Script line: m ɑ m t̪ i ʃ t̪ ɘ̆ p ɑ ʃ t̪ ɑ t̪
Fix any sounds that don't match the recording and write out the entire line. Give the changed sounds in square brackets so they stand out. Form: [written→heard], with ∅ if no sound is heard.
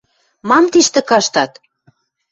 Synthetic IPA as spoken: m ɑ m t̪ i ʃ t̪ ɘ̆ [p→k] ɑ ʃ t̪ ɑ t̪